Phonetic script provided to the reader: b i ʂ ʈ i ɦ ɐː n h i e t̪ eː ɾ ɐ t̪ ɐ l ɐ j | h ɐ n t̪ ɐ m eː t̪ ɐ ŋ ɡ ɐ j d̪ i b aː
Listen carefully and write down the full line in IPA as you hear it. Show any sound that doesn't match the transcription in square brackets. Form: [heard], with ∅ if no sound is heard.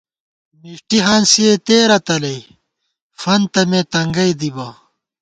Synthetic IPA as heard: [m] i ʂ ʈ i ɦ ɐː n [s] i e t̪ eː ɾ ɐ t̪ ɐ l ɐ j | [f] ɐ n t̪ ɐ m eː t̪ ɐ ŋ ɡ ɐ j d̪ i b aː